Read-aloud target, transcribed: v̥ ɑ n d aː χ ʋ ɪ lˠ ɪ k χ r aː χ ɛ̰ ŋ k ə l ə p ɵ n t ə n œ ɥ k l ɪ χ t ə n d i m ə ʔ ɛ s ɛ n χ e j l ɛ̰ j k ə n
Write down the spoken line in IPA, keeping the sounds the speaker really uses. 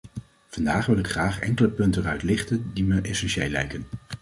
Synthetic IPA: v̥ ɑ n d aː χ ʋ ɪ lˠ ɪ k χ r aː χ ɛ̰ ŋ k ə l ə p ɵ n t ə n œ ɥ t l ɪ χ t ə n d i m ə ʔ ɛ s ɛ n ʃ e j l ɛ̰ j k ə n